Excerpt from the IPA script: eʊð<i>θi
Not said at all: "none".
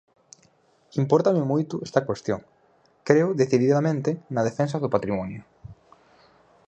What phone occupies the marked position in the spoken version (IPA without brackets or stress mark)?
e